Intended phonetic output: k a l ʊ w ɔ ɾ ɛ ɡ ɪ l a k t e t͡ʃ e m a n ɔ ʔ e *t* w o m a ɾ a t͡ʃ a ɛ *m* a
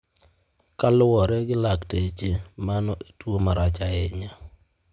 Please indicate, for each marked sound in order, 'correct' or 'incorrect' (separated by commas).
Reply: correct, incorrect